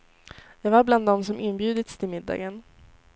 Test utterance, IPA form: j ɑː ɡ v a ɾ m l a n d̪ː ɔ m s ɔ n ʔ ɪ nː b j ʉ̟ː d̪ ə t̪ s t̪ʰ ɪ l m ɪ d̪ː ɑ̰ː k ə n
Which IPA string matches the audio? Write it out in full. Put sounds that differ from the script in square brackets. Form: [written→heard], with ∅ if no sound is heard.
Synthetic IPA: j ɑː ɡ v a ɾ [m→b] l a n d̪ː ɔ m s ɔ [n→m] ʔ ɪ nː b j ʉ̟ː d̪ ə t̪ s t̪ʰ ɪ l m ɪ d̪ː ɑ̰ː [k→ɡ] ə n